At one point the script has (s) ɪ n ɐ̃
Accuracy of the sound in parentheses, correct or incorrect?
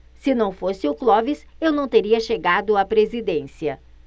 correct